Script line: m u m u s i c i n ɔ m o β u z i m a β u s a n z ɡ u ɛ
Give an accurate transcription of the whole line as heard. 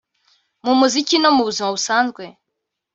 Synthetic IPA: m u m u z i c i n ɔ m u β u z i m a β u s a n z ɡ w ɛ